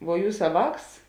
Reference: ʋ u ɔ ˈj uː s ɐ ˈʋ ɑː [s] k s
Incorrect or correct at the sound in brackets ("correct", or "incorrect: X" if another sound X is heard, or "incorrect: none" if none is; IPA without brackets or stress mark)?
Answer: incorrect: none